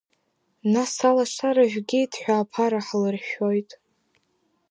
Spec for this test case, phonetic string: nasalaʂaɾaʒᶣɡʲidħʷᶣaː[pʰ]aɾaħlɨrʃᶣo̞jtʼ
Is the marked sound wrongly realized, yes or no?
no